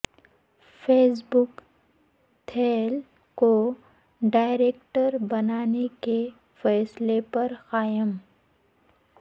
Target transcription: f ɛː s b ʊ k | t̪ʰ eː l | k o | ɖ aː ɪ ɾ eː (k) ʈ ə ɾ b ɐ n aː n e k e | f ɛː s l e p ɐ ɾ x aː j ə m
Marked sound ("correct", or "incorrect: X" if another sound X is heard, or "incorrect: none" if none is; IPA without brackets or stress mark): correct